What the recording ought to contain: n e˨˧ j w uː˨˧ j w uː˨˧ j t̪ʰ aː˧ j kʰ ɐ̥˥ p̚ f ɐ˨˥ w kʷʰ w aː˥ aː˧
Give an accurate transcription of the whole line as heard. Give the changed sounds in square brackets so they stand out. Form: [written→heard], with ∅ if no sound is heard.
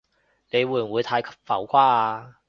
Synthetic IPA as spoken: n e˨˧ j w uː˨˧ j w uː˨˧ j t̪ʰ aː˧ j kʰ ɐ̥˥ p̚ f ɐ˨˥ w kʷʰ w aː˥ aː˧